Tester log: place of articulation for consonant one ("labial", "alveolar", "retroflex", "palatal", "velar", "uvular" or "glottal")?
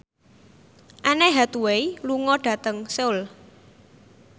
glottal